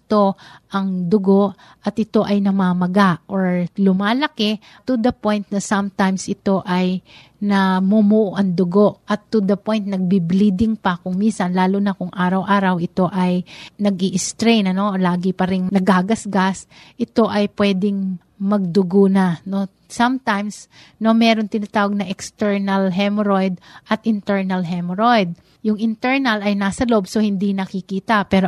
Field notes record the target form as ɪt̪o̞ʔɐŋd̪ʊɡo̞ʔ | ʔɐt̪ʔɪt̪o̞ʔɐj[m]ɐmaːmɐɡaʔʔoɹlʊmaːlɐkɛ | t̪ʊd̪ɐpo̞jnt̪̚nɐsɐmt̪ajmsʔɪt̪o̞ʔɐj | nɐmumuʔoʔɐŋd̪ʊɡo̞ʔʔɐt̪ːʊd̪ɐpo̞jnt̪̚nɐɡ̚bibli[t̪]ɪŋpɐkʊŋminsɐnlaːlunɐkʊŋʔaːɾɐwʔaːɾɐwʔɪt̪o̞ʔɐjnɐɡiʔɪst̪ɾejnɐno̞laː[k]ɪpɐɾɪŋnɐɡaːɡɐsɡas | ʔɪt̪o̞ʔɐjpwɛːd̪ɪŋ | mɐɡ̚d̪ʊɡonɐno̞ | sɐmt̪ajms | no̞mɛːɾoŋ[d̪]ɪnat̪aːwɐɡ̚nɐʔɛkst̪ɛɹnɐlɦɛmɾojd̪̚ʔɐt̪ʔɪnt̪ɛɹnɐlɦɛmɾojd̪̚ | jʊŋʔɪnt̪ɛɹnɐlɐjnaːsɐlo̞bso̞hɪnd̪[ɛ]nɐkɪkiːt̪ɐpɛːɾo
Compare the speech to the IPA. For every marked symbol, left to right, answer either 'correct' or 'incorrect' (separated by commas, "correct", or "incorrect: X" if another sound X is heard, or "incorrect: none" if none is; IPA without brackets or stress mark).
incorrect: n, incorrect: d̪, incorrect: ɡ, incorrect: t̪, incorrect: i